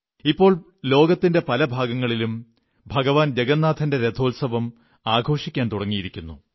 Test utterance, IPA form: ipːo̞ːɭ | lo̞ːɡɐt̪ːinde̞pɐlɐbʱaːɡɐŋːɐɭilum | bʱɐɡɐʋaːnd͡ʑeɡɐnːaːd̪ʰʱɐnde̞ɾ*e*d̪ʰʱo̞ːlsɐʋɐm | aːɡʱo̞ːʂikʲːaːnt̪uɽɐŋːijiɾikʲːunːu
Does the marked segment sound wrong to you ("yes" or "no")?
no